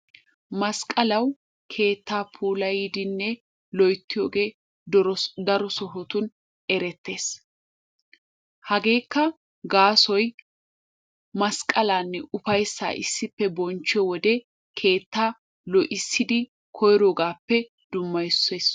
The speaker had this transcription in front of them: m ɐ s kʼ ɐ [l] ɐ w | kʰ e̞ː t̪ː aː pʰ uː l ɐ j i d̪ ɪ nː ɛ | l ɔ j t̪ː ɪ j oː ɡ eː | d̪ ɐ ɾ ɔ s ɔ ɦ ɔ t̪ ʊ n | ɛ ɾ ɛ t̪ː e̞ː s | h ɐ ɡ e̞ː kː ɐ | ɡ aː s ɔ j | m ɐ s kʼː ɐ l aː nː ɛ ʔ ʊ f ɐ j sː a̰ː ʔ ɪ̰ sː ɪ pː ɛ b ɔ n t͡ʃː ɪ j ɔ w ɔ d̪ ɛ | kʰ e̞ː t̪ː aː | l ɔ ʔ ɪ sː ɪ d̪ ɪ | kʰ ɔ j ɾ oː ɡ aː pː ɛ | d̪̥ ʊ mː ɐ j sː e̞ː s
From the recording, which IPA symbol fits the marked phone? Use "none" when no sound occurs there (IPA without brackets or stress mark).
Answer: l